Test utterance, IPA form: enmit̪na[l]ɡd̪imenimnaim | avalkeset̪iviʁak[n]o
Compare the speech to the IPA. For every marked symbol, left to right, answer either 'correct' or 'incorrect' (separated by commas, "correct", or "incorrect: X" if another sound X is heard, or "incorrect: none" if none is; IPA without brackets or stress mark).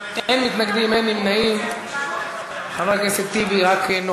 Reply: incorrect: none, correct